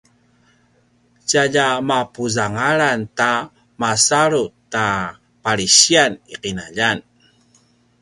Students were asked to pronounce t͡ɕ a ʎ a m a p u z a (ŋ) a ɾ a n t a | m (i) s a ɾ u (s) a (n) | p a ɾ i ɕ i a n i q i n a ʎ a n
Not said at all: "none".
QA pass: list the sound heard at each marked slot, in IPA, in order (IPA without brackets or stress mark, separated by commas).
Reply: ŋ, a, t, none